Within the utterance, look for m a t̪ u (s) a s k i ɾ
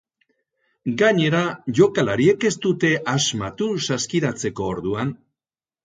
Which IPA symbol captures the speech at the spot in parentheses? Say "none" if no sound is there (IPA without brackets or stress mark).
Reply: s